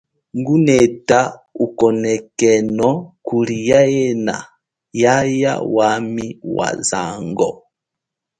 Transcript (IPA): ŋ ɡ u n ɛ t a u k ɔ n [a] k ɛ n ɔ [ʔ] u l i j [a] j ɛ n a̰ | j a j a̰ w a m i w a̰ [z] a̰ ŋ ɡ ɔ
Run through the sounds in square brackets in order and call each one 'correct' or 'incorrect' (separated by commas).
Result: incorrect, incorrect, correct, correct